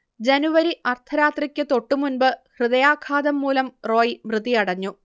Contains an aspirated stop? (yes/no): yes